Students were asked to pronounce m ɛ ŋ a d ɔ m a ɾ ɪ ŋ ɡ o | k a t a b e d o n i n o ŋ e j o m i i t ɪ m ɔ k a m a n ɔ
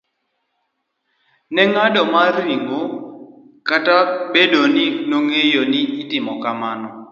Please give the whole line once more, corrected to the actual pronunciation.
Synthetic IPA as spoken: n ɛ ŋ a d ɔ m a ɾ i ŋ ɡ o | k a t a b e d o n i n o ŋ e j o n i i t ɪ m ɔ k a m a n ɔ